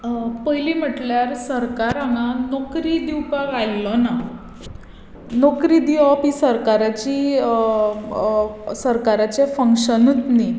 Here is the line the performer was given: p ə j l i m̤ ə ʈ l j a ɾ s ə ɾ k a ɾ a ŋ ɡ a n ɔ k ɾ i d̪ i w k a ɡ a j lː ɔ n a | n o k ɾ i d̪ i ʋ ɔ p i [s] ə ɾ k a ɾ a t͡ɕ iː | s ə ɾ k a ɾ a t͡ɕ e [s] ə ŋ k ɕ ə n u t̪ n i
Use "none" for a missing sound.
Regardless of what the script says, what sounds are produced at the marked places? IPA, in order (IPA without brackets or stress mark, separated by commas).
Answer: s, f